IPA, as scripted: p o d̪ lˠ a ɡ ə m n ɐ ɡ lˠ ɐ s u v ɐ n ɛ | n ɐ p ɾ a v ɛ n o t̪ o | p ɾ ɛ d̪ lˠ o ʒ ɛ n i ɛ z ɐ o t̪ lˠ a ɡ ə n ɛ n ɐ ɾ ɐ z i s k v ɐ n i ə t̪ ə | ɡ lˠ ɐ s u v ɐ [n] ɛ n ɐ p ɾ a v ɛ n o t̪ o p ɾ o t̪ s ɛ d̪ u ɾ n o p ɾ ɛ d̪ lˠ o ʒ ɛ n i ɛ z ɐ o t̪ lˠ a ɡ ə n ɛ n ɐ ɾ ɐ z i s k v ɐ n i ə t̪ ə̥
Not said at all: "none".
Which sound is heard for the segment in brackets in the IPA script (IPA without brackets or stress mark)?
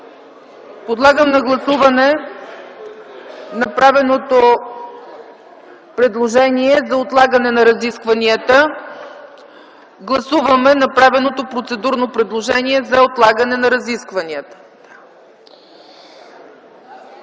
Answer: m